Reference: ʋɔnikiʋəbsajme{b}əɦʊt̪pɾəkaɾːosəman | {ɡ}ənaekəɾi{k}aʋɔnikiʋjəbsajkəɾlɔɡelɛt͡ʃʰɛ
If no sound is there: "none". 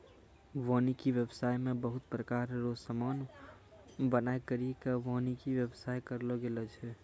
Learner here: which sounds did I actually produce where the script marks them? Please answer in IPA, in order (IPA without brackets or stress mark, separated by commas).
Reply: b, b, k